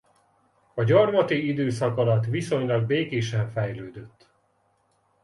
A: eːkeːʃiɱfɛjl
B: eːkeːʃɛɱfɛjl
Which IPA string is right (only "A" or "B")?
B